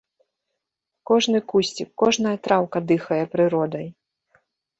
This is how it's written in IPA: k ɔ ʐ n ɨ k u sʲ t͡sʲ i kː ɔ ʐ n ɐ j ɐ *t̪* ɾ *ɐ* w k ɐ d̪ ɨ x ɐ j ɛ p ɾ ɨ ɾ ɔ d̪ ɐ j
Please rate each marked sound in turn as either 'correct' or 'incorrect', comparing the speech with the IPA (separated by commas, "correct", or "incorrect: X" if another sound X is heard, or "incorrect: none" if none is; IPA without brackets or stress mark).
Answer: correct, incorrect: a